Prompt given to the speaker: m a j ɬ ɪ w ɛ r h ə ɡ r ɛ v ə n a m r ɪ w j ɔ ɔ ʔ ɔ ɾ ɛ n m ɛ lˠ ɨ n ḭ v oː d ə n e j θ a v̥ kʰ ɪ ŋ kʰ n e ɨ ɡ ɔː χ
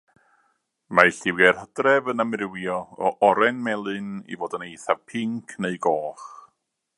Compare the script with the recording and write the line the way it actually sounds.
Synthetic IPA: m a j ɬ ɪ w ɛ r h ə d r ɛ v ə n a m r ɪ w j ɔ ɔ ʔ ɔ ɾ ɛ n m ɛ lˠ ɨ n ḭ v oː d ə n e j θ a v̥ pʰ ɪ ŋ kʰ n e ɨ ɡ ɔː χ